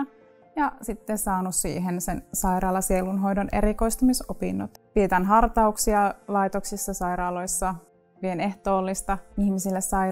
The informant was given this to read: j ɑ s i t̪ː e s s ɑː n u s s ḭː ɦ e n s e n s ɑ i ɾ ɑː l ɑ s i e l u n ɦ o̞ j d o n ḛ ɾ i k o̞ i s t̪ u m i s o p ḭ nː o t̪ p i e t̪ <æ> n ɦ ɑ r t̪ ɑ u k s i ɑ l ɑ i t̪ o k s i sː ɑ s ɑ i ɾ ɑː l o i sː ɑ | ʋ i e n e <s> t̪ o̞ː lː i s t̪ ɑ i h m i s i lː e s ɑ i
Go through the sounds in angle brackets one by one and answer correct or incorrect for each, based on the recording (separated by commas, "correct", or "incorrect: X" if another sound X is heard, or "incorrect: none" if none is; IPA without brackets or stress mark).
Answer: correct, incorrect: h